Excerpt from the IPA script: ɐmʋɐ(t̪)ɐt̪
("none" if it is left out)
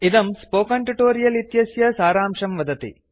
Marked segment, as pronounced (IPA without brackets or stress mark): d̪